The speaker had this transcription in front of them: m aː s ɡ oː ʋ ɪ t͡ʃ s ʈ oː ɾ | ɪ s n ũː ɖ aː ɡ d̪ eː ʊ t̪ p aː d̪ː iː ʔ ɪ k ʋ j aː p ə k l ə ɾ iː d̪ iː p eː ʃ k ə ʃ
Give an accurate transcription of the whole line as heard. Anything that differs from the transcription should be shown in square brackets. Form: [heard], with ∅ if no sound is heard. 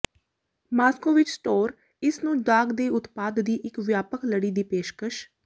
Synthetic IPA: m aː s [k] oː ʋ ɪ t͡ʃ s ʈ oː ɾ | ɪ s n ũː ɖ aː ɡ d̪ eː ʊ t̪ p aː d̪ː iː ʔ ɪ k ʋ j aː p ə k l ə [ɽ] iː d̪ iː p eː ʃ k ə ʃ